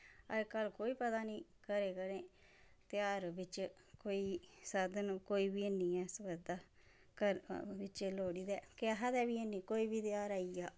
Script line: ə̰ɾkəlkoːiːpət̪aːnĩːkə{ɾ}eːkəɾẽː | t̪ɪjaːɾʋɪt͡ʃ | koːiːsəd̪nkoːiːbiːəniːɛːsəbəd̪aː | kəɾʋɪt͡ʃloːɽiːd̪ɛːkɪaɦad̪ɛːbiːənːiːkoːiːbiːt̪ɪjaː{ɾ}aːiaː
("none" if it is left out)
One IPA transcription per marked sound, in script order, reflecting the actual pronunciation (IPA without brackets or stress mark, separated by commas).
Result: ɾ, ɾ